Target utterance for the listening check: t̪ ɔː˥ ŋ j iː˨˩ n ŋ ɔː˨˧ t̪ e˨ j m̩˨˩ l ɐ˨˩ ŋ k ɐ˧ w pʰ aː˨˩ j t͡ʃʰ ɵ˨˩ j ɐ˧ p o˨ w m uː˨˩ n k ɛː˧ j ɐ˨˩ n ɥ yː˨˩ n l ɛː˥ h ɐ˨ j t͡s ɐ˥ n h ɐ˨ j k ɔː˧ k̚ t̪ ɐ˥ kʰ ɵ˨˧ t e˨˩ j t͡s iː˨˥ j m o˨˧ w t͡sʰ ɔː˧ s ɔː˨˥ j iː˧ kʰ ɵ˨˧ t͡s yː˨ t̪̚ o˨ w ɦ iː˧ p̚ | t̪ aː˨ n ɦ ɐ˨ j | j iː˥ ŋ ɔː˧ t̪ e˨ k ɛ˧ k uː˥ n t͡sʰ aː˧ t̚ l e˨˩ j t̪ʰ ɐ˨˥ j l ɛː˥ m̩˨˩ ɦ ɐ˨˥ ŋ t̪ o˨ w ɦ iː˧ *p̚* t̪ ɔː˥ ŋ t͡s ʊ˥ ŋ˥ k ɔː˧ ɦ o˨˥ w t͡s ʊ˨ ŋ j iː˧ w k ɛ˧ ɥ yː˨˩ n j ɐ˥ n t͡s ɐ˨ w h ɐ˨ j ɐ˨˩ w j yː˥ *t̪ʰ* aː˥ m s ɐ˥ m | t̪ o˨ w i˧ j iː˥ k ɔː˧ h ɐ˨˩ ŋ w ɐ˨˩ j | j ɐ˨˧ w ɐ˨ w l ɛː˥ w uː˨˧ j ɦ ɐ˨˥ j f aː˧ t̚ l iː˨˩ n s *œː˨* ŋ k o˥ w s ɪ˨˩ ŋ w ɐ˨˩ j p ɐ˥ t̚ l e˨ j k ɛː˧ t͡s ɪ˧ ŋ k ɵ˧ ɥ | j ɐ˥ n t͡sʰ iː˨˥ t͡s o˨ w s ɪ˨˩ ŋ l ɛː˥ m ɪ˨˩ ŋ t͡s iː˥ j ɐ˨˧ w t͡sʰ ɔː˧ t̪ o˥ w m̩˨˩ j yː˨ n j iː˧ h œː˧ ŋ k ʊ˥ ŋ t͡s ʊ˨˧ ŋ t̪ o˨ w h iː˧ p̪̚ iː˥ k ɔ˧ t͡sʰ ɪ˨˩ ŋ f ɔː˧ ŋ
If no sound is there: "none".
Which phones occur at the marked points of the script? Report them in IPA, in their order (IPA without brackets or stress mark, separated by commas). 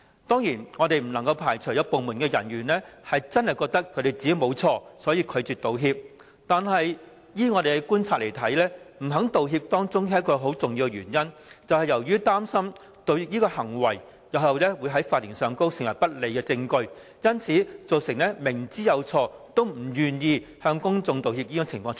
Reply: p̚, t̪, œː˨